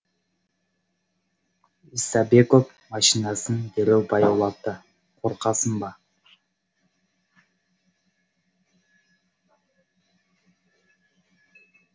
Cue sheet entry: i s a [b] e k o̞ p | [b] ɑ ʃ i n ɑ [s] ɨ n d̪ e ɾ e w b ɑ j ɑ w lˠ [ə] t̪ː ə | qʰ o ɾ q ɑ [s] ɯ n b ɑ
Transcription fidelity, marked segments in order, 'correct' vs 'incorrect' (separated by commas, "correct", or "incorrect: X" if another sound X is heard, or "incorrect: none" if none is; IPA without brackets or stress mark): correct, incorrect: m, correct, incorrect: ɑ, correct